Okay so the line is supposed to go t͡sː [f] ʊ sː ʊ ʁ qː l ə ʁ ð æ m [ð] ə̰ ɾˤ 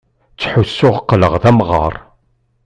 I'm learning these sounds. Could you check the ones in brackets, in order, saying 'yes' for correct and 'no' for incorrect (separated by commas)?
no, no